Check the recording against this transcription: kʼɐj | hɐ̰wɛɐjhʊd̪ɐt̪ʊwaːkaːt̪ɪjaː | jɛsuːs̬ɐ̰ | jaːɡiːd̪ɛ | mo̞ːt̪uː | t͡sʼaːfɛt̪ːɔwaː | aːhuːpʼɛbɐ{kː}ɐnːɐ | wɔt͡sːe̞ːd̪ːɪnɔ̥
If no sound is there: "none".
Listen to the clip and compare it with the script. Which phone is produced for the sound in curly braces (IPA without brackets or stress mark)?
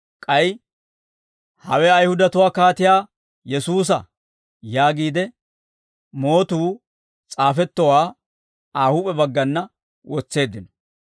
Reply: ɡː